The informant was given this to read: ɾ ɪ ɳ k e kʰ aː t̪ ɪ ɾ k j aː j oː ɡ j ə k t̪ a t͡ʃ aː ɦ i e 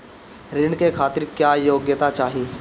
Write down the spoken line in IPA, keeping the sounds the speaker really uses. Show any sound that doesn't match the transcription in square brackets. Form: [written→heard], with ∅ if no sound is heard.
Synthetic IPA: ɾ ɪ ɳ k e kʰ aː t̪ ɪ ɾ k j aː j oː ɡ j ə [k→∅] t̪ a t͡ʃ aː ɦ i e